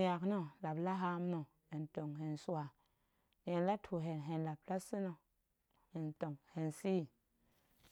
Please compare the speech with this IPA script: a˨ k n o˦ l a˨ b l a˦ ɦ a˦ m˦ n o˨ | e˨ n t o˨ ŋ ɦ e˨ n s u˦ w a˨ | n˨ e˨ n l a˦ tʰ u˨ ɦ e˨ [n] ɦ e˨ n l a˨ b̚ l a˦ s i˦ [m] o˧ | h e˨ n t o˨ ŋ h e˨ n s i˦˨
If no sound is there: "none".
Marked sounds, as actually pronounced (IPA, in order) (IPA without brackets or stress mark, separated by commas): n, n